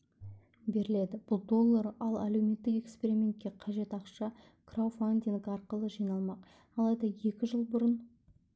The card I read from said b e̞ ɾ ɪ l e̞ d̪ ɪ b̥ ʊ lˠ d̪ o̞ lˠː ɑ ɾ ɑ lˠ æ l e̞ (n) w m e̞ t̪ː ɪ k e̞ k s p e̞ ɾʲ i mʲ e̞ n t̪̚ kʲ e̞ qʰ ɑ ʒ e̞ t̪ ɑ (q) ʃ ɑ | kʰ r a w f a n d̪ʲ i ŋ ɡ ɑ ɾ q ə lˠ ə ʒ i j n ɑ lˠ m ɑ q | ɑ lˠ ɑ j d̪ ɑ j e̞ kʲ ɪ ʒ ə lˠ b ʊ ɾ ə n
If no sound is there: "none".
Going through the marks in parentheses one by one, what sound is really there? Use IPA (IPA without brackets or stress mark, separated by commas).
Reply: none, q